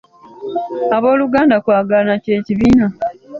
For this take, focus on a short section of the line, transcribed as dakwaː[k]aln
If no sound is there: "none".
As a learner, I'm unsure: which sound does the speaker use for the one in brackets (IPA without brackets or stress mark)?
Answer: ɡ